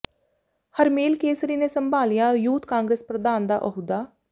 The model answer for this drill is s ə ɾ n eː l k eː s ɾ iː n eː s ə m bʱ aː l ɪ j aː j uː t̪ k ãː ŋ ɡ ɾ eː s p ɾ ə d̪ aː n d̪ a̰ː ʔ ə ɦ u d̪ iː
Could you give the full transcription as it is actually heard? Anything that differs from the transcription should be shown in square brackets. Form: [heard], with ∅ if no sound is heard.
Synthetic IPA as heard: [h] ə ɾ [m] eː l k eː s ɾ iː n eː s ə m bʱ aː l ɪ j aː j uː t̪ k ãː ŋ ɡ ɾ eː s p ɾ ə d̪ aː n d̪ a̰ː ʔ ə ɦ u d̪ [aː]